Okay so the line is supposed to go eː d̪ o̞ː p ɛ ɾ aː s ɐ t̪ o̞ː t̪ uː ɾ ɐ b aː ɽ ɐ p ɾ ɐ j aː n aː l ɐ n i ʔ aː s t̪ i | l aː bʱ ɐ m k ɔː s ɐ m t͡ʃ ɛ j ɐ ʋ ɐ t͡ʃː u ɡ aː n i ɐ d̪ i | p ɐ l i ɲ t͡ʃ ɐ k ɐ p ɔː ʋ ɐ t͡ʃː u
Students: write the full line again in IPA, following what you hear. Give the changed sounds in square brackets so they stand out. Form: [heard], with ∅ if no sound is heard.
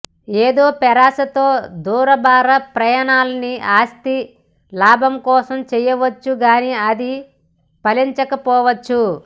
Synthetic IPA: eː d̪ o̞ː p ɛ ɾ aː s ɐ t̪ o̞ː [d̪] uː ɾ ɐ b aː [ɾ] ɐ p ɾ ɐ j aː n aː l ɐ n i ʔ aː s t̪ i | l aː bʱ ɐ m k ɔː s ɐ m t͡ʃ ɛ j ɐ ʋ ɐ t͡ʃː u ɡ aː n i ɐ d̪ i | p ɐ l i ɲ t͡ʃ ɐ k ɐ p ɔː ʋ ɐ t͡ʃː u

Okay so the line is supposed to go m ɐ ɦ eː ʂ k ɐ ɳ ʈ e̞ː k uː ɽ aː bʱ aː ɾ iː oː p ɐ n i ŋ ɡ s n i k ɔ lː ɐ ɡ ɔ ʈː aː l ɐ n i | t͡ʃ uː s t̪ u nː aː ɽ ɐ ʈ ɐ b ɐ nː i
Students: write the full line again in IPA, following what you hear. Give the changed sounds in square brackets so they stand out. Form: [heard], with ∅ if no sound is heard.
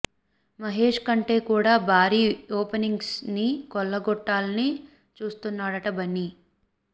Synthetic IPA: m ɐ ɦ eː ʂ k ɐ ɳ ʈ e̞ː k uː ɽ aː bʱ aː ɾ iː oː p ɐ n i ŋ ɡ s n i k ɔ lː ɐ ɡ ɔ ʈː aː l ɐ n i | t͡ʃ uː s t̪ u nː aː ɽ ɐ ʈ ɐ b ɐ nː i

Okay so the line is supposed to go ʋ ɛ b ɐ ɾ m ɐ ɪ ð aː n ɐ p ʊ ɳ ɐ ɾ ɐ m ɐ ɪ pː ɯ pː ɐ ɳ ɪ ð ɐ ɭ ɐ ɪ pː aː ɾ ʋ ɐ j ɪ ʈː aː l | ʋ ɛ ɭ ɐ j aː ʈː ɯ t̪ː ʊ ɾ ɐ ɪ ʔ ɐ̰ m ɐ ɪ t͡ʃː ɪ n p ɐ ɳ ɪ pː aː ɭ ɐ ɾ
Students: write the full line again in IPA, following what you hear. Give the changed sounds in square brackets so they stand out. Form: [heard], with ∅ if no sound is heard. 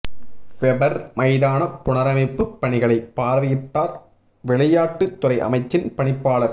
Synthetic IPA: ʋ ɛ b ɐ ɾ m ɐ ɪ ð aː n ɐ p ʊ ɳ ɐ ɾ ɐ m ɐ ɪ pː ɯ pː ɐ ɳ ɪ [ɣ] ɐ ɭ ɐ ɪ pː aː ɾ ʋ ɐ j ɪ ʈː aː [ɾ] | ʋ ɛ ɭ ɐ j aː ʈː ɯ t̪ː ʊ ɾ ɐ ɪ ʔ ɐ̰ m ɐ ɪ t͡ʃː ɪ n p ɐ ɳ ɪ pː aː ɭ ɐ ɾ

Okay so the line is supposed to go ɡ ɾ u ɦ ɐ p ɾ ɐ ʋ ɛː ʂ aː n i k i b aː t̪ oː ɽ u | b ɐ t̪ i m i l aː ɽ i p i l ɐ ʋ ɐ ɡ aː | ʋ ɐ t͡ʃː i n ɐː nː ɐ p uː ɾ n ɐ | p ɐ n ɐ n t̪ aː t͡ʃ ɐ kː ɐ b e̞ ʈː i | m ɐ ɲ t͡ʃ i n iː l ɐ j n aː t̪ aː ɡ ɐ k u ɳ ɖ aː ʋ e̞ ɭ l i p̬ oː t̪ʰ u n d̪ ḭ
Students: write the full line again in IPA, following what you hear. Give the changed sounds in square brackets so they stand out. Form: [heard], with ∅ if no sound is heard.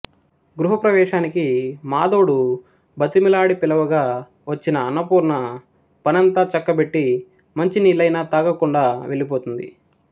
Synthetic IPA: ɡ ɾ u ɦ ɐ p ɾ ɐ ʋ ɛː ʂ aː n i k i [m] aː [d̪] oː ɽ u | b ɐ t̪ i m i l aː ɽ i p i l ɐ ʋ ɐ ɡ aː | ʋ ɐ t͡ʃː i n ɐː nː ɐ p uː ɾ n ɐ | p ɐ n ɐ n t̪ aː t͡ʃ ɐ kː ɐ b e̞ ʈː i | m ɐ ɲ t͡ʃ i n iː l ɐ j n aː t̪ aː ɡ ɐ k u ɳ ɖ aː ʋ e̞ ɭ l i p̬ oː [t̪] u n d̪ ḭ

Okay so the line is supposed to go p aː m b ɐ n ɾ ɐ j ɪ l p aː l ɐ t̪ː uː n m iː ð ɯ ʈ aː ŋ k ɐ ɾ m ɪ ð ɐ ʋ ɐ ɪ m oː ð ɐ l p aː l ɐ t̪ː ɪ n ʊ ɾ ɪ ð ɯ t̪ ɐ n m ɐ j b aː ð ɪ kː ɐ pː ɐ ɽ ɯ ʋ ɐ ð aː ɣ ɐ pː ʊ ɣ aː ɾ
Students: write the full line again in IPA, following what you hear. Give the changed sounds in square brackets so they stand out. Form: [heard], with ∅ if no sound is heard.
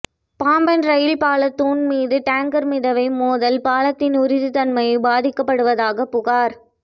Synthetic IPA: p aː m b ɐ n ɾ ɐ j ɪ l p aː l ɐ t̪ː uː n m iː ð ɯ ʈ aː ŋ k ɐ ɾ m ɪ ð ɐ ʋ ɐ ɪ m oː ð ɐ l p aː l ɐ t̪ː ɪ n ʊ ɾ ɪ ð ɯ t̪ ɐ n m ɐ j b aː ð ɪ kː ɐ pː ɐ ɽ ɯ ʋ ɐ ð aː ɣ ɐ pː ʊ ɣ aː ɾ

